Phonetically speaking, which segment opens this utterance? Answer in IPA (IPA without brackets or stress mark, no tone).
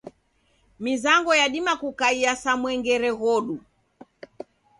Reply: m